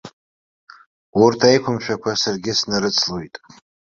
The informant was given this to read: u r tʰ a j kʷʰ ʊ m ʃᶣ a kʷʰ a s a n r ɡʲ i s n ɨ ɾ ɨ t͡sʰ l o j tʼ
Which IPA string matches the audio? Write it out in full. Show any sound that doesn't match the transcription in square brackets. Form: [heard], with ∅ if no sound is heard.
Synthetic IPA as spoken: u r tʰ a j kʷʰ ʊ m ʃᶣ a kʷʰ a s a [∅] r ɡʲ [ɪ] s n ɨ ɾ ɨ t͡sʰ l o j tʼ